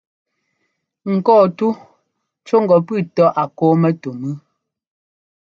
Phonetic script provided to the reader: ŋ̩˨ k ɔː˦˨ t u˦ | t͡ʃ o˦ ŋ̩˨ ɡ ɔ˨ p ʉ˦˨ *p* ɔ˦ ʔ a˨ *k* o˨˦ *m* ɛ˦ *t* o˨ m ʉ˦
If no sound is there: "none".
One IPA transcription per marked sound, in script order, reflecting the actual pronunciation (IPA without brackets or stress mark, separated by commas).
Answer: t, k, m, t